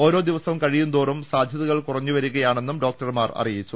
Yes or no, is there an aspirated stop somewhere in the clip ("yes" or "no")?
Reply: no